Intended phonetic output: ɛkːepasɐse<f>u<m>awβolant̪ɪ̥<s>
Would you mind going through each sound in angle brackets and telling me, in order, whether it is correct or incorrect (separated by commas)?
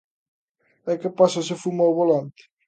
correct, correct, incorrect